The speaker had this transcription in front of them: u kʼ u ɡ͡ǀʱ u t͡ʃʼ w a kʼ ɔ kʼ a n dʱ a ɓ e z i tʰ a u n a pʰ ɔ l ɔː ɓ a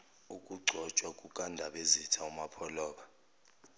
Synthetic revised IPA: u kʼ u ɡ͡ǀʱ ɔ t͡ʃʼ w a kʼ u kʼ a n dʱ a ɓ e z i tʰ a u m a pʰ ɔ l ɔː ɓ a